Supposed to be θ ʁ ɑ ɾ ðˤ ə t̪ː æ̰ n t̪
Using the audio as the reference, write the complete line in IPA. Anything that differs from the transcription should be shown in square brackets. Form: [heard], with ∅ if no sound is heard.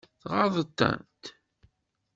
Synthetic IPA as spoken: θ ʁ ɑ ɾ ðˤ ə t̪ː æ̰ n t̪